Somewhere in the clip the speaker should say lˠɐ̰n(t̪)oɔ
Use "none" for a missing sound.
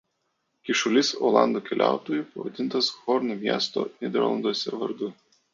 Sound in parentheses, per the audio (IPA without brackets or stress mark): d̪